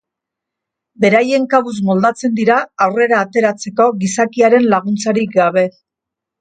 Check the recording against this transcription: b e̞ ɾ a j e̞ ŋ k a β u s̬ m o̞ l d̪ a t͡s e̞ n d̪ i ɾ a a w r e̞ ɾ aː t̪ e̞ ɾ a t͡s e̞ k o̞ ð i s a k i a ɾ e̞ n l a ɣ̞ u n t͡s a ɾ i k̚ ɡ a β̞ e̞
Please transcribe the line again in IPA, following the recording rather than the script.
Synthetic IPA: b e̞ ɾ a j e̞ ŋ k a β u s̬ m o̞ l d̪ a t͡s e̞ n d̪ i ɾ a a w r e̞ ɾ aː t̪ e̞ ɾ a t͡s e̞ k o̞ ɣ i s a k i a ɾ e̞ n l a ɣ̞ u n t͡s a ɾ i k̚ ɡ a β̞ e̞

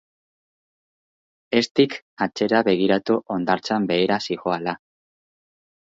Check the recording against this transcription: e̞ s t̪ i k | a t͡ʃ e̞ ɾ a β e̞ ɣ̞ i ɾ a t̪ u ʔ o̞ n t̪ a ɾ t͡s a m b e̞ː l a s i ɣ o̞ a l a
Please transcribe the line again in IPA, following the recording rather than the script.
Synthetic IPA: e̞ s t̪ i k | a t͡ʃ e̞ ɾ a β e̞ ɣ̞ i ɾ a t̪ u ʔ o̞ n d̪ a ɾ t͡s a m b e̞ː ɾ a s i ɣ o̞ a l a

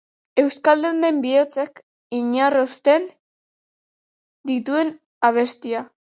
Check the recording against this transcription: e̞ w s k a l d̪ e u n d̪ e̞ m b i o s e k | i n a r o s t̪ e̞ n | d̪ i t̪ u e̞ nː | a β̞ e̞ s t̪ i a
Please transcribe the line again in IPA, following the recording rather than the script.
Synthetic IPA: e̞ w s k a l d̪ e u n d̪ e̞ m b i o t͡s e k | i ɲ a r o s t̪ e̞ n | d̪ i t̪ u e̞ n | a β̞ e̞ s t̪ i a

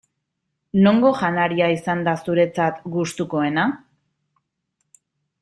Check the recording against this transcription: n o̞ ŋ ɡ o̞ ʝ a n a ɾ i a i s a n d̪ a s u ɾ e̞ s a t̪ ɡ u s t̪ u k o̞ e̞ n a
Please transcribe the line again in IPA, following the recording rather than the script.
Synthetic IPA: n o̞ ŋ ɡ o̞ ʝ a n a ɾ i a i s a n d̪ a s u ɾ e̞ t͡s a t̪ ɡ u s t̪ u k o̞ e̞ n a

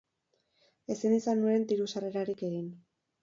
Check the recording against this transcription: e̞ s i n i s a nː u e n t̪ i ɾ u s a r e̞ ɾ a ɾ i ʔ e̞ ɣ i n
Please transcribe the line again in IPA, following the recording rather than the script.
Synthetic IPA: e̞ s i n i s a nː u e n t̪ i ɾ u s a r e̞ ɾ a ɾ i k e̞ ɣ i n

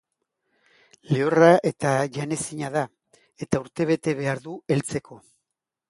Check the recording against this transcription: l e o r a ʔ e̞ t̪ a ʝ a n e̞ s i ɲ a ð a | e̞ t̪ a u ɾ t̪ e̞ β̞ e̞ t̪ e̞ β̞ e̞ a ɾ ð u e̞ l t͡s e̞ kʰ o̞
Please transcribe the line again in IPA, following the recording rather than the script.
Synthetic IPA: l e o r a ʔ e̞ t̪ a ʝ a n e̞ s i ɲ a ð a | e̞ t̪ a u ɾ t̪ e̞ β̞ e̞ t̪ e̞ β̞ e̞ a ɾ ð u e̞ l t͡s e̞ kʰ o̞

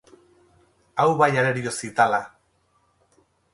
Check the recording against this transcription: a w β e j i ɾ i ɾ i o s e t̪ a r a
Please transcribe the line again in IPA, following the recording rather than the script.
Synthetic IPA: a w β a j a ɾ e ɾ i o s i t̪ a l a

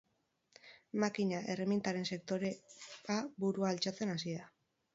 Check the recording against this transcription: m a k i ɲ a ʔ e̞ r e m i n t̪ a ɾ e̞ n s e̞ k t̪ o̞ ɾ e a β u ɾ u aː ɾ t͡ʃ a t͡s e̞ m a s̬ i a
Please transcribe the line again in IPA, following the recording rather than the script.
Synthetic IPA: m a k i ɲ a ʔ e̞ r e m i n t̪ a ɾ e̞ n s e̞ k t̪ o̞ ɾ e a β u ɾ u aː l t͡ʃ a t͡s e̞ n a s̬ i a

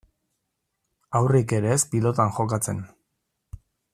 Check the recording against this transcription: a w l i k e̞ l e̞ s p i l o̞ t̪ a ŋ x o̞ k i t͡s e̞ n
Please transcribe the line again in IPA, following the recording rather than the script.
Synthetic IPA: a w r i k e̞ ɾ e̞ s p i l o̞ t̪ a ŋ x o̞ k a t͡s e̞ n

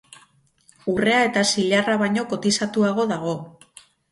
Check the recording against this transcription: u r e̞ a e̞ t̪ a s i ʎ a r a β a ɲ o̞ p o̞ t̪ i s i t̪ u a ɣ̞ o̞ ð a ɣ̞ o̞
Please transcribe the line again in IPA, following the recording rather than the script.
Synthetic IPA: u r e̞ a e̞ t̪ a s i ʎ a r a β a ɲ o̞ k o̞ t̪ i s a t̪ u a ɣ̞ o̞ ð a ɣ̞ o̞

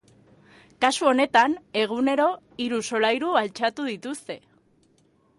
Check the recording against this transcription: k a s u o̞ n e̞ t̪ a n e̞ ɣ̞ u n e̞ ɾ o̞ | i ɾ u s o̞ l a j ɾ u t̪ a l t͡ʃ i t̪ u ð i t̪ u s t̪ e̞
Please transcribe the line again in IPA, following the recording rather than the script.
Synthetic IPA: k a s u o̞ n e̞ t̪ a n e̞ ɣ̞ u n e̞ ɾ o̞ | i ɾ u s o̞ l a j ɾ u a l t͡ʃ a t̪ u ð i t̪ u s t̪ e̞

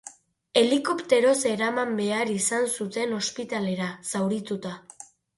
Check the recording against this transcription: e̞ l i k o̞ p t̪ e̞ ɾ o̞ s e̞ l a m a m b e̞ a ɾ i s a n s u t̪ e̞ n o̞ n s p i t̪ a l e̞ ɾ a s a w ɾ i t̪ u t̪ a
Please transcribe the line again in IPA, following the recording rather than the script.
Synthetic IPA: e̞ l i k o̞ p t̪ e̞ ɾ o̞ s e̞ ɾ a m a m b e̞ a ɾ i s a n s u t̪ e̞ n o̞ s p i t̪ a l e̞ ɾ a s a w ɾ i t̪ u t̪ a

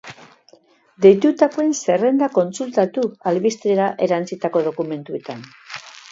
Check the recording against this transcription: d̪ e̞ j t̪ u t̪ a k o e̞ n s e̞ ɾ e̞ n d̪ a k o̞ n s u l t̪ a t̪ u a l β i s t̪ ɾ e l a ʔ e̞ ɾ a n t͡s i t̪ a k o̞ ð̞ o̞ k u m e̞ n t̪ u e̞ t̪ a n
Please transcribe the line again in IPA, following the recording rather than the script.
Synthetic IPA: d̪ e̞ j t̪ u t̪ a k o e̞ n s e̞ r e̞ n d̪ a k o̞ n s u l t̪ a t̪ u a l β i s t̪ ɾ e ɾ a ʔ e̞ ɾ a n t͡s i t̪ a k o̞ ð̞ o̞ k u m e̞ n t̪ u e̞ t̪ a n

